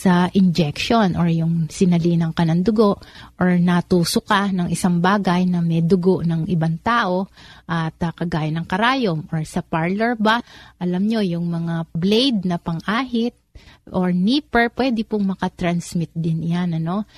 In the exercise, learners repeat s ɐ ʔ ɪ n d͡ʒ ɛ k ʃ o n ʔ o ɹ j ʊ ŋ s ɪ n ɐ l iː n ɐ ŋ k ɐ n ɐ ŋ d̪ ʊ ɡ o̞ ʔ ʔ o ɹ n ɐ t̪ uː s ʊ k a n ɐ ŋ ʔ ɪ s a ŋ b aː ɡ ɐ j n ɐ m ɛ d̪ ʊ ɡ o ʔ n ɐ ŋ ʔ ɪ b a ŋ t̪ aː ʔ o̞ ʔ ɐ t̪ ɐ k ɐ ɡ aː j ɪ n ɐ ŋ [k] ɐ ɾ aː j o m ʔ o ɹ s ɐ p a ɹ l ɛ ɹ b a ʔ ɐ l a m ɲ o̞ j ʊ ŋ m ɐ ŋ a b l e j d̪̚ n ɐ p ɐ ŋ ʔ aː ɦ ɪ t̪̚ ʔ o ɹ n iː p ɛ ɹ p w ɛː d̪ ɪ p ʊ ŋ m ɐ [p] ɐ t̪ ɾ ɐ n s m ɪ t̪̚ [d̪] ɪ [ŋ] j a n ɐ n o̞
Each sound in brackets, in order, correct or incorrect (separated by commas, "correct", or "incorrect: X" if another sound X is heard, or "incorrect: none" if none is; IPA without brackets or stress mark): correct, incorrect: k, correct, incorrect: n